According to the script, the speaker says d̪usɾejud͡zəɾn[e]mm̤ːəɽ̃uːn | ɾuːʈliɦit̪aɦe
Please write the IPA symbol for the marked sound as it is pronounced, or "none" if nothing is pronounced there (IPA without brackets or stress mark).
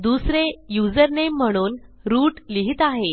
e